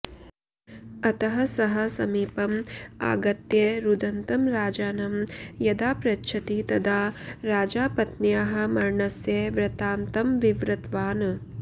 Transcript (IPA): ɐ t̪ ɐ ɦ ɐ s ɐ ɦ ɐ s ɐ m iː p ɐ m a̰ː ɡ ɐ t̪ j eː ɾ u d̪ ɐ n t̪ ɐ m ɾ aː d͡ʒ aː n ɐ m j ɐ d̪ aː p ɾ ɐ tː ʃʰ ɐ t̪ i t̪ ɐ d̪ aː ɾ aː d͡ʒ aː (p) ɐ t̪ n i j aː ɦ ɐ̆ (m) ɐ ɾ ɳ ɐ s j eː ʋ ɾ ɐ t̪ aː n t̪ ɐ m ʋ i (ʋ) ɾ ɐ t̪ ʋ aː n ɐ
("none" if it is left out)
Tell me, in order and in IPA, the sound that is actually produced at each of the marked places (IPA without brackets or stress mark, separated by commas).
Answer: p, m, ʋ